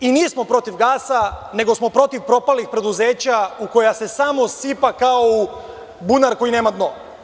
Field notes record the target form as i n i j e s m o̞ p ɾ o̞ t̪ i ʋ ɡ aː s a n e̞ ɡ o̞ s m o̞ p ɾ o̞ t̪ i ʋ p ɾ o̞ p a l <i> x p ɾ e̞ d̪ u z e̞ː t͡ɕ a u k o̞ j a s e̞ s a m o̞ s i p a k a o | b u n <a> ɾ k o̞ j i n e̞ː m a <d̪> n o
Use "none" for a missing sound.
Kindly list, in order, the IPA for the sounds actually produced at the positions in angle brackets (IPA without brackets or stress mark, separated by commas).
i, a, d̪